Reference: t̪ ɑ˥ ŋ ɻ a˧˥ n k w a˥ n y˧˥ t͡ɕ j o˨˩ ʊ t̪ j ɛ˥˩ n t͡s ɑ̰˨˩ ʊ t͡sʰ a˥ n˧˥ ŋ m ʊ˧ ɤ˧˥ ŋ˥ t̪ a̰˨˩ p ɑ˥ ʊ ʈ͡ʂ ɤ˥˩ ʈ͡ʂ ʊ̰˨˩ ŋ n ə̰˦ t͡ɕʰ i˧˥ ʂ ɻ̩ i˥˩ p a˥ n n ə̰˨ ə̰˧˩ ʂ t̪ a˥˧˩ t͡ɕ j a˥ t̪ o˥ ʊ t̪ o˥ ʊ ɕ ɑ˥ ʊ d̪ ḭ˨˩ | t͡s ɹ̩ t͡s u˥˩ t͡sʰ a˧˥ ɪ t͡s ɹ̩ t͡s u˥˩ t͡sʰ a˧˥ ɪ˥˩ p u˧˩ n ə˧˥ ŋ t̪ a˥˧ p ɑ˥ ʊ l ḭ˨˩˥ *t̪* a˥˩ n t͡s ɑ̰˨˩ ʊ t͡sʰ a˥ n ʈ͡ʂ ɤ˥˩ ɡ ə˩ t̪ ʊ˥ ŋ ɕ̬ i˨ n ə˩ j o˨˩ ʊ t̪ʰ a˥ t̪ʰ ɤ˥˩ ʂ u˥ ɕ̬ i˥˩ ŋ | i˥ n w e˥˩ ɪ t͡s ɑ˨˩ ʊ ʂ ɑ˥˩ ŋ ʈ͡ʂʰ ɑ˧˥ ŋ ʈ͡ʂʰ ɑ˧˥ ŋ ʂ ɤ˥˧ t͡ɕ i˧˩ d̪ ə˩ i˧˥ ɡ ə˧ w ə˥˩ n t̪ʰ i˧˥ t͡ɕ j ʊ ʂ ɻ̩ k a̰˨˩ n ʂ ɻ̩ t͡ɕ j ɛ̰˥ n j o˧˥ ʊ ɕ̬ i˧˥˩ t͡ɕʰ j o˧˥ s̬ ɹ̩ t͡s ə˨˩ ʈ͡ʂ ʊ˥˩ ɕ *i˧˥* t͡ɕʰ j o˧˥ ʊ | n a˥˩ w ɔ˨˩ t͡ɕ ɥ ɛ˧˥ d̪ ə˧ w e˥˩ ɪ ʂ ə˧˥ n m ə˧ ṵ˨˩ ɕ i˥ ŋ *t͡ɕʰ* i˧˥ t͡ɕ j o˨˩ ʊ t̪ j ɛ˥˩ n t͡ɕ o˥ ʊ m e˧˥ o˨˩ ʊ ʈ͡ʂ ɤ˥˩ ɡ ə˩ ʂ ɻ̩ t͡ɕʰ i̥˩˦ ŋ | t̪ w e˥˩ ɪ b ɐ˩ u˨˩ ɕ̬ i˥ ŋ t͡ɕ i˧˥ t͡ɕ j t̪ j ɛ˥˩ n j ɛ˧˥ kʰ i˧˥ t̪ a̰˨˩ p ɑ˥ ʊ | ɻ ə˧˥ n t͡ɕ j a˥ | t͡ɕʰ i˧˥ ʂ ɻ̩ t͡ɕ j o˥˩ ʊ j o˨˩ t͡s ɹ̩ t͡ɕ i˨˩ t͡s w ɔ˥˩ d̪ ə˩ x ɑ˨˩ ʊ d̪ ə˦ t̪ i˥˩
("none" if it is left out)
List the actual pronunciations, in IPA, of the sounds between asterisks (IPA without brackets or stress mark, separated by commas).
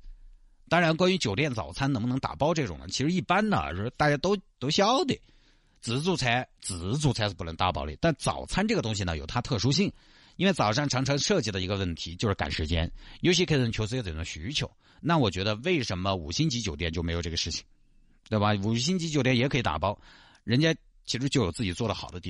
t̪, y˧˥, t͡ɕ